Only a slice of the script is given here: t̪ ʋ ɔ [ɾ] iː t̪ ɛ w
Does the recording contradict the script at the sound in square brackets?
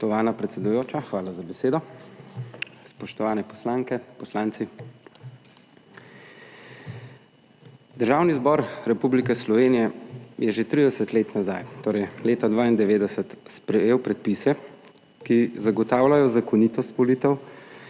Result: yes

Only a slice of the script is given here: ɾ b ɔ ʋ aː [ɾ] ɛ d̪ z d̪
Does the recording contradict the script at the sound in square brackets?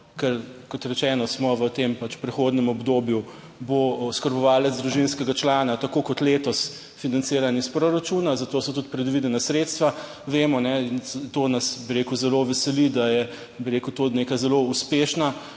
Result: yes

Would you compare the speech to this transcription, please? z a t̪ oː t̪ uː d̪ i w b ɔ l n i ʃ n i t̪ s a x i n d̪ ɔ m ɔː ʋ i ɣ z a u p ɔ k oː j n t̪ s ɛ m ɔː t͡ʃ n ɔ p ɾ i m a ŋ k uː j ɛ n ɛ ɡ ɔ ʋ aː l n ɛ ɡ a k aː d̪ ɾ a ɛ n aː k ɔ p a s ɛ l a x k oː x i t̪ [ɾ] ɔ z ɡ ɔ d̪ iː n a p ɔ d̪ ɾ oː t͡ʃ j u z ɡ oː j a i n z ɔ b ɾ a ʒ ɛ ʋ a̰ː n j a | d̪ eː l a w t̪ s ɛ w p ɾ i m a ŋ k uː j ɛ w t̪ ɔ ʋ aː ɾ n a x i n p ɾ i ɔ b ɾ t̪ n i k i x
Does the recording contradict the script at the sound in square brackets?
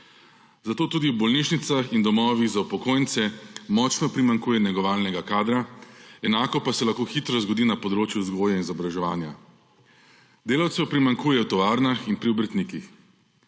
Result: no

